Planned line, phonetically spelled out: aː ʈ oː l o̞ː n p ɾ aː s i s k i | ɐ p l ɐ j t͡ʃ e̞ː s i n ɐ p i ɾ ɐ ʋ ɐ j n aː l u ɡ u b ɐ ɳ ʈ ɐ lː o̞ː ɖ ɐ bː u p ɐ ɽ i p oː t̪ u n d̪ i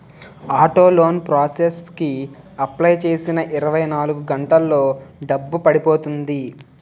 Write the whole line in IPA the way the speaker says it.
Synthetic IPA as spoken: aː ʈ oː l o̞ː n p ɾ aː s e s k i | ɐ p l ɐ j t͡ʃ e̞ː s i n ɐ ʔ i ɾ ɐ ʋ ɐ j n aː l u ɡ u ɡ ɐ ɳ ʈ ɐ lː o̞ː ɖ ɐ bː u p ɐ ɽ i p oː t̪ u n d̪ i

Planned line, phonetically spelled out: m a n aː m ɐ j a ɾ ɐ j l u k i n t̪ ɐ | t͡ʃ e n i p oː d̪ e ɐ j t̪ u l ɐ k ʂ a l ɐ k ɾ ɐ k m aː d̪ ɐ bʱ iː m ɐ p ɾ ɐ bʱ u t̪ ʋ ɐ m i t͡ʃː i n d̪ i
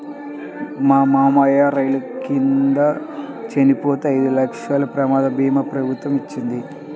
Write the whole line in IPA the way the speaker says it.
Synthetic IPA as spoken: m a m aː m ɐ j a ɾ ɐ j l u k i n d̪ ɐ | t͡ʃ e n i p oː t̪ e ɐ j d̪ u l ɐ k ʂ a l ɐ p ɾ ɐ m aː d̪ ɐ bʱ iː m ɐ p ɾ ɐ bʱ u t̪ ʋ ɐ m i t͡ʃː i n d̪ i

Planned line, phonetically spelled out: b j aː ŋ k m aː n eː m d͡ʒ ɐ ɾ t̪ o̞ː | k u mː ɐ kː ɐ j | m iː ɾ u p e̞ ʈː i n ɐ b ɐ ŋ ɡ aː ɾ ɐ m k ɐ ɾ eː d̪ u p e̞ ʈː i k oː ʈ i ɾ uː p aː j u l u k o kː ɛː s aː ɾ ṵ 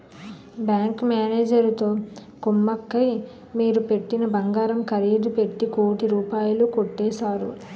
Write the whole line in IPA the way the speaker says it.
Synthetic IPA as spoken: b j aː ŋ k m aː n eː d͡ʒ ɐ ɾ t̪ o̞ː | k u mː ɐ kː ɐ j | m iː ɾ u p e̞ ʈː i n ɐ b ɐ ŋ ɡ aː ɾ ɐ m k ɐ ɾ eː d̪ u p e̞ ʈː i k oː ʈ i ɾ uː p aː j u l u k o ʈː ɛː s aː ɾ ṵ

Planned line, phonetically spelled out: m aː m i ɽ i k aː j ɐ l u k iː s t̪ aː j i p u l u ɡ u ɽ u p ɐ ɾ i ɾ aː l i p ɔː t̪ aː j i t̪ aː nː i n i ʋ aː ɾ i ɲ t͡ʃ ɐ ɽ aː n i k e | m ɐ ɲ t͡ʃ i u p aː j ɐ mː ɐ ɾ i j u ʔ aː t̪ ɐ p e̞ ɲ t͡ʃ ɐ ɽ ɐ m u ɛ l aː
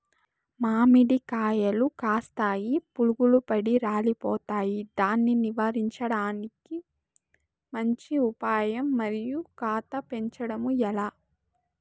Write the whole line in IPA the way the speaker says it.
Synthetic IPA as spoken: m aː m i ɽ i k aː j ɐ l u k aː s t̪ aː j i p u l u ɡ u l u p ɐ ɽ i ɾ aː l i p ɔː t̪ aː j i d̪ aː nː i n i ʋ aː ɾ i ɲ t͡ʃ ɐ ɽ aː n i k i | m ɐ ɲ t͡ʃ i u p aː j ɐ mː ɐ ɾ i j u k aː t̪ ɐ p e̞ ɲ t͡ʃ ɐ ɽ ɐ m u ɛ l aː

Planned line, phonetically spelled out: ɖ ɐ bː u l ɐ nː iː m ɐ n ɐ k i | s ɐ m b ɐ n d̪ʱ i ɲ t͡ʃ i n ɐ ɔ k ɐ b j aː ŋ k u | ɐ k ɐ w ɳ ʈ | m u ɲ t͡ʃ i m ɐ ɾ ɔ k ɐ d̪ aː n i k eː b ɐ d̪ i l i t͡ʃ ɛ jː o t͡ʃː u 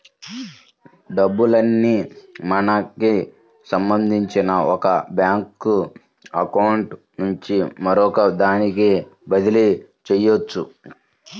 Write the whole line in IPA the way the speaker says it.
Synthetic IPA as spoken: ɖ ɐ bː u l ɐ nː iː m ɐ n ɐ k i | s ɐ m b ɐ n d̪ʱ i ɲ t͡ʃ i n ɐ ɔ k ɐ b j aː ŋ k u | ɐ k ɐ w ɳ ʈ | n u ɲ t͡ʃ i m ɐ ɾ ɔ k ɐ d̪ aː n i k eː b ɐ d̪ i l i t͡ʃ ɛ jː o t͡ʃː u

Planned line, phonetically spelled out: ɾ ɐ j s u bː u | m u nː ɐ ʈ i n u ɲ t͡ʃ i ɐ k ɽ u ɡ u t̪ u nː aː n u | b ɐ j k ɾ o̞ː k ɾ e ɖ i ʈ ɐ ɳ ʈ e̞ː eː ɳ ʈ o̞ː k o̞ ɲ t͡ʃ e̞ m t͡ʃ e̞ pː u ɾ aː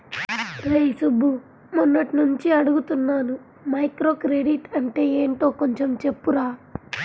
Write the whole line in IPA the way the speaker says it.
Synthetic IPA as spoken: ɾ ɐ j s u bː u | m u nː ɐ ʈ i n u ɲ t͡ʃ i ɐ ɽ u ɡ u t̪ u nː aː n u | m ɐ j k ɾ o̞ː k ɾ e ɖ i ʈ ɐ ɳ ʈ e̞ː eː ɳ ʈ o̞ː k o̞ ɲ t͡ʃ e̞ m t͡ʃ e̞ pː u ɾ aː

